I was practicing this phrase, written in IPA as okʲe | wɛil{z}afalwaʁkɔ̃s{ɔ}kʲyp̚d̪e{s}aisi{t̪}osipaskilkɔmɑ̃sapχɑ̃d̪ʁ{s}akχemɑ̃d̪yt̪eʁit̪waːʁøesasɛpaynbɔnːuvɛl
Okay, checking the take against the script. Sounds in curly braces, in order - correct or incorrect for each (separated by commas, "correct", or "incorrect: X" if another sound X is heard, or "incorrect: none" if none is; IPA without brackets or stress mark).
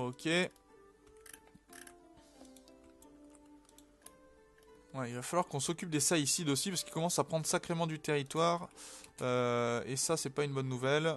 incorrect: v, correct, correct, incorrect: d̪, correct